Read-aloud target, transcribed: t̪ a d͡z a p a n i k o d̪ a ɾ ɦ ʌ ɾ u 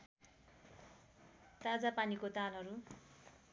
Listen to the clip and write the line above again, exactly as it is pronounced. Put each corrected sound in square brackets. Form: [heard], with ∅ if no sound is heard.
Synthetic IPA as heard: t̪ a d͡z a p a n i k o [t̪] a [l] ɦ ʌ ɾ u